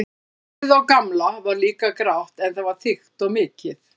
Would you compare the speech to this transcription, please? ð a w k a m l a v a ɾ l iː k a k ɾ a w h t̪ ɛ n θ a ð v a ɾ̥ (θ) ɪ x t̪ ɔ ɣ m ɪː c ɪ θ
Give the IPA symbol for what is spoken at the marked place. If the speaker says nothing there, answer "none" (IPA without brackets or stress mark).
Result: θ